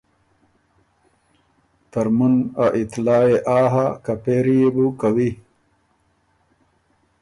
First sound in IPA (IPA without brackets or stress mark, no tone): t̪